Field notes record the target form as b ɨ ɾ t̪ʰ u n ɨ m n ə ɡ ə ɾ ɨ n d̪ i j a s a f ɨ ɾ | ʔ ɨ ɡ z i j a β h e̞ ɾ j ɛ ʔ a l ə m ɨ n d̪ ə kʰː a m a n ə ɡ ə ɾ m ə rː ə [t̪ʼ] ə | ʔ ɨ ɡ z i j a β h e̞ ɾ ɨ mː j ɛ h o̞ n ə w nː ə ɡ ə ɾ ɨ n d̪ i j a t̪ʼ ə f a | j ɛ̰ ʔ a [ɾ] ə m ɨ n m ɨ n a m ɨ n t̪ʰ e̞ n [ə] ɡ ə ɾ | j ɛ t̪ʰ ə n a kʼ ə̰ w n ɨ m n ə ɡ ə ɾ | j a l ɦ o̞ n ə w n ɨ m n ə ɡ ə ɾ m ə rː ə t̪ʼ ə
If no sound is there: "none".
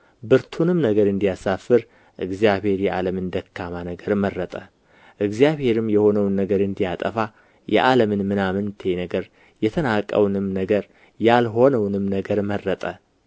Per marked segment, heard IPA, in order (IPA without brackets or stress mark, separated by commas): t̪ʼ, l, ə